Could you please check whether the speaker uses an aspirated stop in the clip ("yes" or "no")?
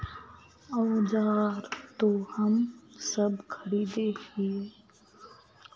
yes